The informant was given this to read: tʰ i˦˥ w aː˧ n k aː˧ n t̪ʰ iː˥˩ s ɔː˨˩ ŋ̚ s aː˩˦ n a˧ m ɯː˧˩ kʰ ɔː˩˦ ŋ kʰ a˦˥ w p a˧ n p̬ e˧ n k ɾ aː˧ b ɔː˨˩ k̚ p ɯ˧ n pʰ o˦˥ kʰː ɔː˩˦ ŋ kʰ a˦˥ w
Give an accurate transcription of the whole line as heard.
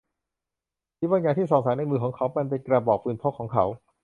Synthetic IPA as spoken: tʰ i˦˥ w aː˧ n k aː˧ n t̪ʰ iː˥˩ s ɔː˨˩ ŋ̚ s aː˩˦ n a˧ m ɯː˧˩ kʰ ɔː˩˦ ŋ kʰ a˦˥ w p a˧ n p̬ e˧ n k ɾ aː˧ b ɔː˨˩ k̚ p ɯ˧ n pʰ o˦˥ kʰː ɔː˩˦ ŋ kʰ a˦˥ w